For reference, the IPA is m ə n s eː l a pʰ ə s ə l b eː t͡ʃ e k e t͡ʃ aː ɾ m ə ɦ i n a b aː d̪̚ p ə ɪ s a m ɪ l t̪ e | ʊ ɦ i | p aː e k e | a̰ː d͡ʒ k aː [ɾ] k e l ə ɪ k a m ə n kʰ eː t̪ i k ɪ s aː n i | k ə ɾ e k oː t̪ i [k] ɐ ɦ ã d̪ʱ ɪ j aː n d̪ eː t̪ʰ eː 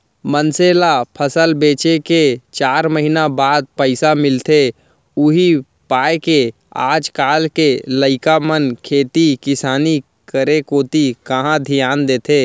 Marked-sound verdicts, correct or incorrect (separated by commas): incorrect, correct